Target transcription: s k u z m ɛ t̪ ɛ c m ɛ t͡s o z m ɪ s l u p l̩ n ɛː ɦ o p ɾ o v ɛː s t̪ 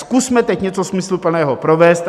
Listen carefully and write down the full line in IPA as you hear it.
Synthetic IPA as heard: s k u s m ɛ t̪ ɛ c ɲ ɛ t͡s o s m ɪ s l u p l̩ n ɛː ɦ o p ɾ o v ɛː s t̪

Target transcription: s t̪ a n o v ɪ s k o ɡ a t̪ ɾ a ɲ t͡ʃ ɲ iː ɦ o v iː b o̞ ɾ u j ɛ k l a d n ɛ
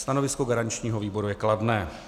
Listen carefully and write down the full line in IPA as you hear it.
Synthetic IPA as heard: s t̪ a n o v ɪ s k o ɡ a ɾ a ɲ t͡ʃ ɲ iː ɦ o v iː b o̞ ɾ u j ɛ k l a d n ɛː

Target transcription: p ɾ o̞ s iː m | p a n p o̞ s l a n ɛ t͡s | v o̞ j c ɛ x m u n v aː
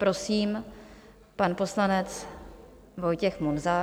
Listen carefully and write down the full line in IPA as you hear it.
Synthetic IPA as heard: p ɾ o̞ s iː m | p a n p o̞ s l a n ɛ t͡s | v o̞ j c ɛ x m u n z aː

